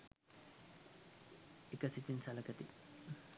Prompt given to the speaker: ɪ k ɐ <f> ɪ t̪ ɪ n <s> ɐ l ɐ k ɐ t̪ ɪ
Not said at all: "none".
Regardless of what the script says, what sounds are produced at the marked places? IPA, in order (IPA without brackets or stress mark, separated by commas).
s, s